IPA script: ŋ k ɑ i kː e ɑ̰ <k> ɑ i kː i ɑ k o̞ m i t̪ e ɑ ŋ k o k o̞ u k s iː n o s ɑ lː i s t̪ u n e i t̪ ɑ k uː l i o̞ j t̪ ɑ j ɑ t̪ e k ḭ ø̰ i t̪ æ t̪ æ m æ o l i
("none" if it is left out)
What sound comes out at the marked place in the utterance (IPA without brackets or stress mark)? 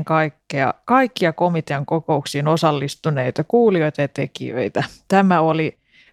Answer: k